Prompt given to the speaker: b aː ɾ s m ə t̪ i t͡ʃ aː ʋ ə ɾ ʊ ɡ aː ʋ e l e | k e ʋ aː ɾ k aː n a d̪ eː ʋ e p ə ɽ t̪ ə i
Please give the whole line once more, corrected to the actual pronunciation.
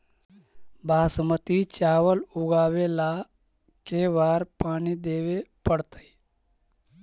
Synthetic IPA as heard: b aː s m ə t̪ i t͡ʃ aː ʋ ə l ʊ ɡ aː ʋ e l a | k e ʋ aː ɾ p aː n i d̪ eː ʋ e p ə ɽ t̪ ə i